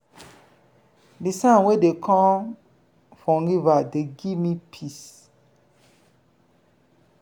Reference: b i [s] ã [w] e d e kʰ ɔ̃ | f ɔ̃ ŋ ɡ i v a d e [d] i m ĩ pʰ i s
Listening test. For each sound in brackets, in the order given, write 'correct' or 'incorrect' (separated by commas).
correct, correct, incorrect